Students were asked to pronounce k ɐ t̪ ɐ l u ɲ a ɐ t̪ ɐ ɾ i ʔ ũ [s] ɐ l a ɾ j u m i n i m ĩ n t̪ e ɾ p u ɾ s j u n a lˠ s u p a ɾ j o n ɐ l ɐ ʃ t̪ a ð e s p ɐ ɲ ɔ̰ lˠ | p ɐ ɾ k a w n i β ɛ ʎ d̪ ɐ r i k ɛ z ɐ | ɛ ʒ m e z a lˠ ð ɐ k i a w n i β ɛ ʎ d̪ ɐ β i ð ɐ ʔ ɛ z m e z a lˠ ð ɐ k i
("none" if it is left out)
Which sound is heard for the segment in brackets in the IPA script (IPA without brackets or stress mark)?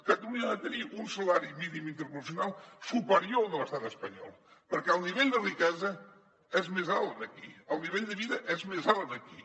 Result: s